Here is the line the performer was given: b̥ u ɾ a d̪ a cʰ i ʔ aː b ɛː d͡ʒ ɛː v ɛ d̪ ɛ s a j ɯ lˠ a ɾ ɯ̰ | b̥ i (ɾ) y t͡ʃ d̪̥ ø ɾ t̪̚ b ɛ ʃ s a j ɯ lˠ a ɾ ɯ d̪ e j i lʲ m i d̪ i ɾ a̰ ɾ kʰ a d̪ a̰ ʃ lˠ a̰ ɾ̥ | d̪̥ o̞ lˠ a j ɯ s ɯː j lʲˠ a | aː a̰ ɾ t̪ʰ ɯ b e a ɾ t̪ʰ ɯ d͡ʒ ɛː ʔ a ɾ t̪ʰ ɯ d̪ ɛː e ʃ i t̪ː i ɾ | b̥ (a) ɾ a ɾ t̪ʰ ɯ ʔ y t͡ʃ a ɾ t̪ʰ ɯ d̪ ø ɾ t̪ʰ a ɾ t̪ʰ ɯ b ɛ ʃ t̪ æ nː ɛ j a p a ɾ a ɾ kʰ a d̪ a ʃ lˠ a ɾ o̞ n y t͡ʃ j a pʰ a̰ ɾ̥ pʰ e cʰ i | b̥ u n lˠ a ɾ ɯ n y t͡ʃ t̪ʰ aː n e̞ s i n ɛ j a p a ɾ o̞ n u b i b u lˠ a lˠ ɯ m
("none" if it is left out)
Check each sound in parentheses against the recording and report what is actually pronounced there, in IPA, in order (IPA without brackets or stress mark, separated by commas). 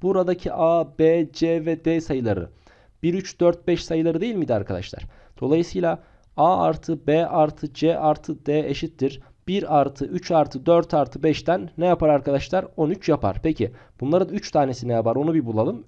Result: ɾ, i